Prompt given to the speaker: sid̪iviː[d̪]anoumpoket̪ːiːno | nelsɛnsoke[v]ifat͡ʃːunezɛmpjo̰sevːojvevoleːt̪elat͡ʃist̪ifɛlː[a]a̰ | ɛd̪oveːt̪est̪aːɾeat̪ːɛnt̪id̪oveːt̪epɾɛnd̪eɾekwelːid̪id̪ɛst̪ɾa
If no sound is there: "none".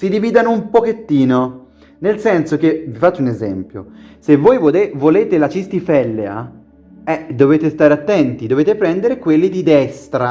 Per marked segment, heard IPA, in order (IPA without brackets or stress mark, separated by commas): d̪, v, e